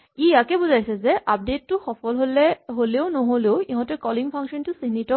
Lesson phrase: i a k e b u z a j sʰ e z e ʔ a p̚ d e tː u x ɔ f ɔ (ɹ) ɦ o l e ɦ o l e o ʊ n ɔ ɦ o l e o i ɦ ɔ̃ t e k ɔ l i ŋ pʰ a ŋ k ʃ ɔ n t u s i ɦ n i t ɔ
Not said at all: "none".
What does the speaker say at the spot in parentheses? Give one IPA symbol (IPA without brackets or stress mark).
l